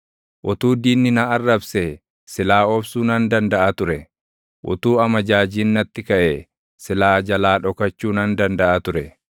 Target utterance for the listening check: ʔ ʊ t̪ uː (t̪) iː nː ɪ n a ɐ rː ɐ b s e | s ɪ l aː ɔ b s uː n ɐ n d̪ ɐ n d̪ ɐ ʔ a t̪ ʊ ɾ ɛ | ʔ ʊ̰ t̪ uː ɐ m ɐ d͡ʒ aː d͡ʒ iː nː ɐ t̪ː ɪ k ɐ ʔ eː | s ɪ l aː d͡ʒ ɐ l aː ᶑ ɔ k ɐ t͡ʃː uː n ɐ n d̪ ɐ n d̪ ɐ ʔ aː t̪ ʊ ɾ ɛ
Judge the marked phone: incorrect: d̪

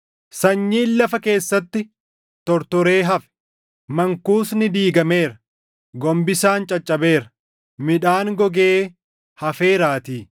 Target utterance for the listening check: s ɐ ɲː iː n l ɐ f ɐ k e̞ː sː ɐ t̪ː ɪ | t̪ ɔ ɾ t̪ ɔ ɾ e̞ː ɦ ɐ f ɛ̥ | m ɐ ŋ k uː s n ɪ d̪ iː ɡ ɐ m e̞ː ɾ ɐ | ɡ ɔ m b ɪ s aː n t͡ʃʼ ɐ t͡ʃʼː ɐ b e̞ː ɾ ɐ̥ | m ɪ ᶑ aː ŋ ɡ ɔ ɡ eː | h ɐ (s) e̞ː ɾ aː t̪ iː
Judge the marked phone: incorrect: f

